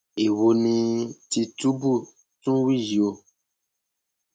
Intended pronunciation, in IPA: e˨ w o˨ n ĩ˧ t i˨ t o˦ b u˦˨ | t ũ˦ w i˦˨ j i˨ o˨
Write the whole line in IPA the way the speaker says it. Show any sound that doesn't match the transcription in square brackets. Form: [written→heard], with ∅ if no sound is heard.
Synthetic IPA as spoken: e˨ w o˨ n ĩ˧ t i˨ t [o˦→u˦] b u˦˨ | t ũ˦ w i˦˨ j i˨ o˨